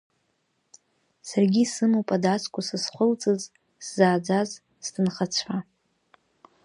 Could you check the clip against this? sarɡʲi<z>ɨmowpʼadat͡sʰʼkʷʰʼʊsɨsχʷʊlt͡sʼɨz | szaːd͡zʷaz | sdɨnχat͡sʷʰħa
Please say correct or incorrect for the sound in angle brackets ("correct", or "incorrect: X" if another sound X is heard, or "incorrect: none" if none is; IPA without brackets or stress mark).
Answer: incorrect: s